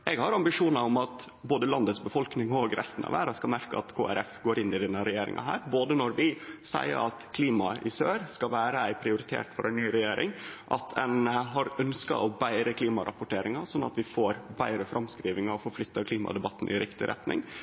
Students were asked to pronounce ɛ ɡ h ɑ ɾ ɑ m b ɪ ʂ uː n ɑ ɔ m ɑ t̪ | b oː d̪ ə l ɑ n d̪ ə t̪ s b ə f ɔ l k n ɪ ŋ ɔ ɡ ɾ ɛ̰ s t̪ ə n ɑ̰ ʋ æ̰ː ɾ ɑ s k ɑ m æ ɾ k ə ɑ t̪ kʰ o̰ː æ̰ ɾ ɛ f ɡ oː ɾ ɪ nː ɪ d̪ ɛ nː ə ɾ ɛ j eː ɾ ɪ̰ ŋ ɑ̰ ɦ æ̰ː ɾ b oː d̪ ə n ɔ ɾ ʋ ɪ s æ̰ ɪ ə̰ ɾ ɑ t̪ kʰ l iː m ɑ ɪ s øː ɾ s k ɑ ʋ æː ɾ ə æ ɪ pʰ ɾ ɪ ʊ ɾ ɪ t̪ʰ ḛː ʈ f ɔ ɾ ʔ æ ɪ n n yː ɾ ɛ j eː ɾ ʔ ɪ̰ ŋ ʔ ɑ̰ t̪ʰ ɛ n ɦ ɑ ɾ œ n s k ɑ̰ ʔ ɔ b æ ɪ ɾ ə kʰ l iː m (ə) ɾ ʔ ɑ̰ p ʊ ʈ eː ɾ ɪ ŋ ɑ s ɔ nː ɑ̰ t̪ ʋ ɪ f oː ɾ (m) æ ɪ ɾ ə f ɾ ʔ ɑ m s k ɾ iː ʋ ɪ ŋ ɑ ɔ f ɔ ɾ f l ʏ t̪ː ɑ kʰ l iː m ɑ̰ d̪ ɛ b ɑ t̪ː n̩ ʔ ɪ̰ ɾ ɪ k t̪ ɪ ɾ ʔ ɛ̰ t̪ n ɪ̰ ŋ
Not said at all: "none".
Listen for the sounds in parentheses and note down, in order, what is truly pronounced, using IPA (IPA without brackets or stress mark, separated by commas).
ɑ, b